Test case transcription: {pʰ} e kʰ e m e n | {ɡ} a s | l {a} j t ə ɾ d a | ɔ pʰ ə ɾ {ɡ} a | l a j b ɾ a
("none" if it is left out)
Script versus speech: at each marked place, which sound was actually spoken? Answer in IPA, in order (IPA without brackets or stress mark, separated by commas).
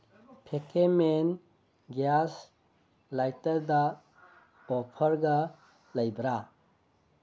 pʰ, ɡ, a, ɡ